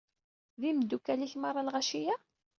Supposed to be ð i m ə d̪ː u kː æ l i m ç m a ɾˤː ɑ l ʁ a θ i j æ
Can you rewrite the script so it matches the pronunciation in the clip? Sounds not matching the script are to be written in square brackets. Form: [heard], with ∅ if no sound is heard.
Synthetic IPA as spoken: ð i m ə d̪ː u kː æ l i [∅] ç m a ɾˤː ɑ l ʁ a [ʃ] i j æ